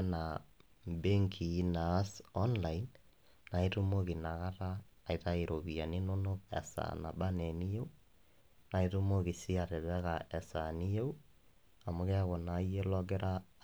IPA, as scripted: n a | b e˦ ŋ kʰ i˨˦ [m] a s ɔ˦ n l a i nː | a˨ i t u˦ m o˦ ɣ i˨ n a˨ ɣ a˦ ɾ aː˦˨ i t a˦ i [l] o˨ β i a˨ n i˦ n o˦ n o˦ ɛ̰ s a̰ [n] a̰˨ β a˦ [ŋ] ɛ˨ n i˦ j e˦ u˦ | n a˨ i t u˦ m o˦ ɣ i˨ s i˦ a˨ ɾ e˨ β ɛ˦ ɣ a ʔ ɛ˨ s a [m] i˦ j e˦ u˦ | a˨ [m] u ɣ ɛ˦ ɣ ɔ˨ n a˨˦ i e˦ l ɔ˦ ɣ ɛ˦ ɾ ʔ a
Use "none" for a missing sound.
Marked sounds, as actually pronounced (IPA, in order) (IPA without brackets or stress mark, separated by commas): n, ɾ, n, n, n, m